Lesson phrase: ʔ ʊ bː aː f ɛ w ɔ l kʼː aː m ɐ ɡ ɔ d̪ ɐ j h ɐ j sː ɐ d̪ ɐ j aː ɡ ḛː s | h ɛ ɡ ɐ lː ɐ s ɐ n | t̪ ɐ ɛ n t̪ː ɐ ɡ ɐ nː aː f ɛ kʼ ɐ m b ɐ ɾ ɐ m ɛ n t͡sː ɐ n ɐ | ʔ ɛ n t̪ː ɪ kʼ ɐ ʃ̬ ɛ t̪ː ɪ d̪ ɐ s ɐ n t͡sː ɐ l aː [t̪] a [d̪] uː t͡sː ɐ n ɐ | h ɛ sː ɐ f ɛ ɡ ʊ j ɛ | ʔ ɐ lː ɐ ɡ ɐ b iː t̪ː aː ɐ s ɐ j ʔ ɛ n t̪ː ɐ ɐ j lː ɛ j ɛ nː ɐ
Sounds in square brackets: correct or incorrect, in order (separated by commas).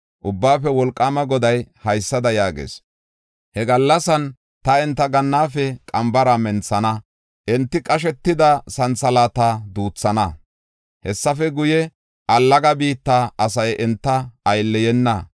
correct, correct